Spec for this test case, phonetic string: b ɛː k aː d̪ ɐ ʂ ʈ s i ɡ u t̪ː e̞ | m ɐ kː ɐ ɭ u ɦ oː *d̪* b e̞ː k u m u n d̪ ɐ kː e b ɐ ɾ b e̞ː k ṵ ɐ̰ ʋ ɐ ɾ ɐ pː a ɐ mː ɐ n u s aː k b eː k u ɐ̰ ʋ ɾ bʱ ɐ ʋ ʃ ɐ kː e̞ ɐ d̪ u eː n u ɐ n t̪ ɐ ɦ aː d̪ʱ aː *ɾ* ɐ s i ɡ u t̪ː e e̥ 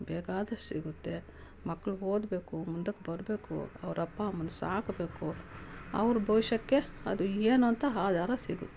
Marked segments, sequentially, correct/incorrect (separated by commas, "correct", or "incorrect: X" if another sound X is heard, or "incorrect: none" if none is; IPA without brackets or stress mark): correct, correct